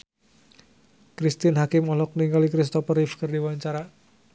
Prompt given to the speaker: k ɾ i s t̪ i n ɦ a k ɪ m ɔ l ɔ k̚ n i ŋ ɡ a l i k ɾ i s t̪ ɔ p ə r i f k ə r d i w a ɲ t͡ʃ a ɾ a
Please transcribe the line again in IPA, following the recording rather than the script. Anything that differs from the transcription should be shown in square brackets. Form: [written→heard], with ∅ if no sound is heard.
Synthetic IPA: k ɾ i s t̪ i n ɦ a k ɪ m ɔ l ɔ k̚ n i ŋ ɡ a l i k ɾ i s t̪ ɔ p ə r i f k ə r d i w a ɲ t͡ʃ a ɾ a

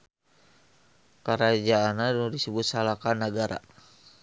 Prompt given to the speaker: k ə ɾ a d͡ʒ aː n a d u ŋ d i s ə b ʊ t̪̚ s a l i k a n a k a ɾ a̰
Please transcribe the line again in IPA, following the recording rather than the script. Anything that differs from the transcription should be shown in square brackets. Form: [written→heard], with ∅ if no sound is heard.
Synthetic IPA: k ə ɾ a d͡ʒ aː n a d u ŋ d i s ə b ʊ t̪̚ s a l [i→a] k a n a [k→ɡ] a ɾ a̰

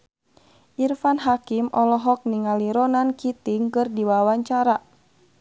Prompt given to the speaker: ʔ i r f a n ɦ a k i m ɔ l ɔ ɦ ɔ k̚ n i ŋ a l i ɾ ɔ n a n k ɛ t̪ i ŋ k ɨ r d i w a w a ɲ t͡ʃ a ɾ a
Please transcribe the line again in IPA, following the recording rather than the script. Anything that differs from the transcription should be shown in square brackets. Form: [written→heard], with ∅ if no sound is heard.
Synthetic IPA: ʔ i r f a n ɦ a k i m ɔ l ɔ ɦ ɔ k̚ n i ŋ a l i ɾ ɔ n a n k [ɛ→i] t̪ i ŋ k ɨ r d i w a w a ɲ t͡ʃ a ɾ a

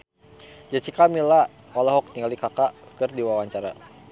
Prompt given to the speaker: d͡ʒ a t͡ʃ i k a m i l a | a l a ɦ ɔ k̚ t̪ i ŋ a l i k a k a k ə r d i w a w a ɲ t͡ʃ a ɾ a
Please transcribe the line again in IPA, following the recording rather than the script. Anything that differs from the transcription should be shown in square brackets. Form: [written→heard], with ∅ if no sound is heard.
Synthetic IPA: d͡ʒ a t͡ʃ i k a m i l a | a l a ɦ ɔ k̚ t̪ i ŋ a l i k a k a k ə r d i w a w a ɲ t͡ʃ a ɾ a

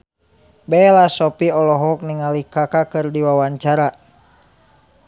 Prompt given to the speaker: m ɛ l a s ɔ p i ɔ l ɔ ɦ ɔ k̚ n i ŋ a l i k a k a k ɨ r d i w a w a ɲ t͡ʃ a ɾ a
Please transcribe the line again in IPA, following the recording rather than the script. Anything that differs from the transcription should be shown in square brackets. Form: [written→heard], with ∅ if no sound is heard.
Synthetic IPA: [m→b] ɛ l a s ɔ p i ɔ l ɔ ɦ ɔ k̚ n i ŋ a l i k a k a k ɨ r d i w a w a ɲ t͡ʃ a ɾ a

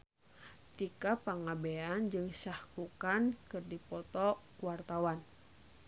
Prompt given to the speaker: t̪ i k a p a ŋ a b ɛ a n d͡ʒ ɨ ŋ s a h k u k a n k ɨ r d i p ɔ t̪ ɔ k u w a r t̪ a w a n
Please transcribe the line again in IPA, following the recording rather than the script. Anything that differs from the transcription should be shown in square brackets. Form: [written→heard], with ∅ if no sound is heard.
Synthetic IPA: t̪ i k a p a ŋ a b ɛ a n d͡ʒ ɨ ŋ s a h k u k a n k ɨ r d i p ɔ t̪ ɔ k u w a r t̪ a w a n

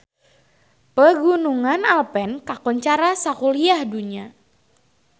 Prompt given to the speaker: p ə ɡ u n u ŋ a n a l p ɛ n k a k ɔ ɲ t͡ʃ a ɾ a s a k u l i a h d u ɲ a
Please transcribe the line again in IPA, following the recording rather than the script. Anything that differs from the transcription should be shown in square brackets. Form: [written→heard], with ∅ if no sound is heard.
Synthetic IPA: p ə ɡ u n u ŋ a n a l p ɛ n k a k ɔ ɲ t͡ʃ a ɾ a s a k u l i a h d u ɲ a

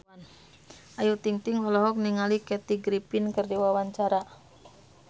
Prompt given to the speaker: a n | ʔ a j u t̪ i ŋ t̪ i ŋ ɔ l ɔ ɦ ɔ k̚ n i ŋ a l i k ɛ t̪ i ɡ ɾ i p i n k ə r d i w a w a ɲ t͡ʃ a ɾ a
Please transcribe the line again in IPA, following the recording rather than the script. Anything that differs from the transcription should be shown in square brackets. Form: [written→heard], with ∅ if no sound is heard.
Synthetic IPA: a n | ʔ a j u t̪ i ŋ t̪ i ŋ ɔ l ɔ ɦ ɔ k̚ n i ŋ a l i k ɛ t̪ i ɡ ɾ i p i n k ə r d i w a w a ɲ t͡ʃ a ɾ a

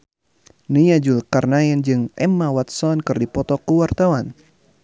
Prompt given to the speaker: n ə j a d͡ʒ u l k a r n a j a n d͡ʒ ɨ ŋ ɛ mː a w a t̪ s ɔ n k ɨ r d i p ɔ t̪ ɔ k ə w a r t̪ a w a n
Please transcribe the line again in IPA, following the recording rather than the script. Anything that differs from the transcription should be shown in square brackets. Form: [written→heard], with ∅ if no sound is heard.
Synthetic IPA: n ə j a d͡ʒ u l k a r n a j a n d͡ʒ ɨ ŋ ɛ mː a w a t̪ s ɔ n k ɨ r d i p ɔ t̪ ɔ k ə w a r t̪ a w a n

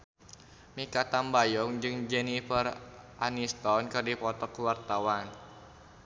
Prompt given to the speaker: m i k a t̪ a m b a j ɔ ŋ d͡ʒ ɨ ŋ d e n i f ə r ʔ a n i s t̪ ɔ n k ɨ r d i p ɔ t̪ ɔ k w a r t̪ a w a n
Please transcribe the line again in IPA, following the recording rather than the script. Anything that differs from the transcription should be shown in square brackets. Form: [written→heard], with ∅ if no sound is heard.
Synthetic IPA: m i k a t̪ a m b a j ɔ ŋ d͡ʒ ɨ ŋ [d→d͡ʒ] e n i f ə r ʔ a n i s t̪ ɔ n k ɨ r d i p ɔ t̪ ɔ k w a r t̪ a w a n

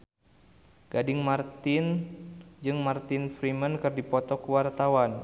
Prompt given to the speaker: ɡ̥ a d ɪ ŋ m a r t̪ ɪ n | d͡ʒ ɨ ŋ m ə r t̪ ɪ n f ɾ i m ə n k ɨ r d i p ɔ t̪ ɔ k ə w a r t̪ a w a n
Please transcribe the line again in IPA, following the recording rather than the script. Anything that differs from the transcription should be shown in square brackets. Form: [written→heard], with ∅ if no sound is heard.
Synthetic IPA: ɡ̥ a d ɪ ŋ m a r t̪ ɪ n | d͡ʒ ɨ ŋ m [ə→a] r t̪ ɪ n f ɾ i m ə n k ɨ r d i p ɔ t̪ ɔ k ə w a r t̪ a w a n

